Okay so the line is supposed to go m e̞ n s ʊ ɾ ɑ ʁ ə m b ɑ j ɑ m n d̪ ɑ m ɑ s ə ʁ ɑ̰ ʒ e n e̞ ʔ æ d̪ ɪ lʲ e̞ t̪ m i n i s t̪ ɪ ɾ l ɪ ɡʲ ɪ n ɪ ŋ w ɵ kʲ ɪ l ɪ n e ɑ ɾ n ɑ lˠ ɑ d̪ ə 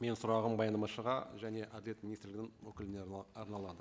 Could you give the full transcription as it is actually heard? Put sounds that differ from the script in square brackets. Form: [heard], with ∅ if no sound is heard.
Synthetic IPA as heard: m e̞ n s ʊ ɾ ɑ ʁ ə m b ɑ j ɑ [∅] n d̪ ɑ m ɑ [ʃ] ə ʁ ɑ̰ ʒ [æ] n e̞ ʔ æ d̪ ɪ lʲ e̞ t̪ m i n i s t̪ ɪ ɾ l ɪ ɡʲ ɪ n ɪ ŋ w ɵ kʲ ɪ l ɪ n e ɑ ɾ n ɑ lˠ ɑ d̪ ə